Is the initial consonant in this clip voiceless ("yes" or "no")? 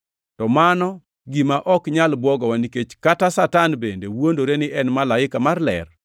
yes